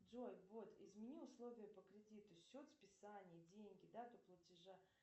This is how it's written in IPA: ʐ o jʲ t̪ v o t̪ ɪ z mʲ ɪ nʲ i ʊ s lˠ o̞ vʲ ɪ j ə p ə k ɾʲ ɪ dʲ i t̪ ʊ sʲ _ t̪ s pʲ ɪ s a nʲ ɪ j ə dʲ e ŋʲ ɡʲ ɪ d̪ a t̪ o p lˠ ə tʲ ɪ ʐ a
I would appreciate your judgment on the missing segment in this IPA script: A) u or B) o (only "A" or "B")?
B